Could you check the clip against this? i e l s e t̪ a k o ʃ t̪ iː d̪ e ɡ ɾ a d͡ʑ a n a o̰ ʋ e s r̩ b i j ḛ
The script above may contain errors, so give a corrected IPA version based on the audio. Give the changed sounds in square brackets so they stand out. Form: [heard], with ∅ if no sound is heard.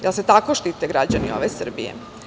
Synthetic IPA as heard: [j] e l s e t̪ a k o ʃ t̪ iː [t̪] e ɡ ɾ a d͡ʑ a n [i] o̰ ʋ e s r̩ b i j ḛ